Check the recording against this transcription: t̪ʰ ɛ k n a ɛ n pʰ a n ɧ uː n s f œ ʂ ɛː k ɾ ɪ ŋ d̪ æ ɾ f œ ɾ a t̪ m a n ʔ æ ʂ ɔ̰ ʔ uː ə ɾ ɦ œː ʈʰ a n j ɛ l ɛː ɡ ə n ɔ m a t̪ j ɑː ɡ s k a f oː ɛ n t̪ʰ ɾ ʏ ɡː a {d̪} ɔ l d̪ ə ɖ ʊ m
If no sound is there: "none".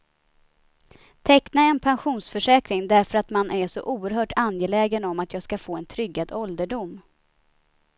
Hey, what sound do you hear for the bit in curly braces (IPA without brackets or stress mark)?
d̪